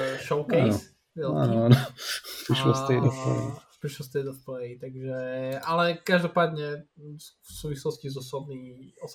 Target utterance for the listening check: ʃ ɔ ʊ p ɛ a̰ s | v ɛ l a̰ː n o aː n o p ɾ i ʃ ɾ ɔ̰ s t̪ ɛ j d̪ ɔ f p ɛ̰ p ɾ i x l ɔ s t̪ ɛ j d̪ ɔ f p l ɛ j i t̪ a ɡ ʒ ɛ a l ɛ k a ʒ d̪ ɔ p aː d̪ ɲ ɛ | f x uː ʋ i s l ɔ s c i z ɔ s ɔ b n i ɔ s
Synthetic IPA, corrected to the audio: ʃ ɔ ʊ k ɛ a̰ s | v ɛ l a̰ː n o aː n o p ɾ i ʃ l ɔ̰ s t̪ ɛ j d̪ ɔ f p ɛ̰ p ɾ i ʃ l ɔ s t̪ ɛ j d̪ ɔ f p l ɛ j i t̪ a ɡ ʒ ɛ a l ɛ k a ʒ d̪ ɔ p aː d̪ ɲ ɛ | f s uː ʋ i s l ɔ s c i z ɔ s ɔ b n i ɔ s